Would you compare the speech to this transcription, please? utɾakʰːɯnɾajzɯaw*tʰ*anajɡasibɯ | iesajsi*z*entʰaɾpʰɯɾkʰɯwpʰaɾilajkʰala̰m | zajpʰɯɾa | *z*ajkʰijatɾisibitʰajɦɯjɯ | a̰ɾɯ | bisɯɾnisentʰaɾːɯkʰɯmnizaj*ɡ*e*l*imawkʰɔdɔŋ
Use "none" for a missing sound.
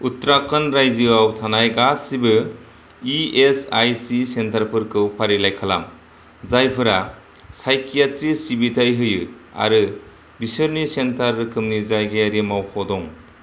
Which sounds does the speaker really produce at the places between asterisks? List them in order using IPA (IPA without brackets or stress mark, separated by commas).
tʰ, s, s, ɡ, ɾ